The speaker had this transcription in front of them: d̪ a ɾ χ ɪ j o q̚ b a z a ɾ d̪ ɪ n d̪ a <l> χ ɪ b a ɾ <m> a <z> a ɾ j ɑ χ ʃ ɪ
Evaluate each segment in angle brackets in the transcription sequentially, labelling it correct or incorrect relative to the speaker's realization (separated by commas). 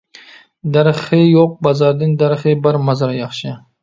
incorrect, correct, correct